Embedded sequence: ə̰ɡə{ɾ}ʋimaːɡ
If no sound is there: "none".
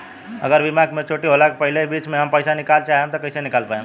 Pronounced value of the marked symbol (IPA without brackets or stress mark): ɾ